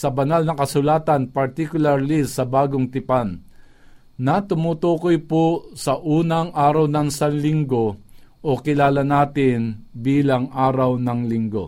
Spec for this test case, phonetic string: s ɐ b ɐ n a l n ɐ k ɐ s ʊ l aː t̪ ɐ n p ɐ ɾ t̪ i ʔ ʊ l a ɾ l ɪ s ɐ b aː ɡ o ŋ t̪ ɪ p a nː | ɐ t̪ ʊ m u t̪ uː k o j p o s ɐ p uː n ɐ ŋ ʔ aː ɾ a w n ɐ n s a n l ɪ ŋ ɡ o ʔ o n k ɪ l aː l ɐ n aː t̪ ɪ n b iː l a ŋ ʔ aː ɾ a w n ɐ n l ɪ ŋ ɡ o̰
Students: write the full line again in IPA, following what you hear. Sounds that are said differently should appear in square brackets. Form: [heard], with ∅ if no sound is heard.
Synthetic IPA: s ɐ b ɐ n a l n ɐ k ɐ s ʊ l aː t̪ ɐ n p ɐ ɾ t̪ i [k] ʊ l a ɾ l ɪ s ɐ b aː ɡ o ŋ t̪ ɪ p a nː | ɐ t̪ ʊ m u t̪ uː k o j p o s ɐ [ʔ] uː n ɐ ŋ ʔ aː ɾ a w n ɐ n s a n l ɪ ŋ ɡ o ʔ o [∅] k ɪ l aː l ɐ n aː t̪ ɪ n b iː l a ŋ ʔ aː ɾ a w n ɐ [ŋ] l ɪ ŋ ɡ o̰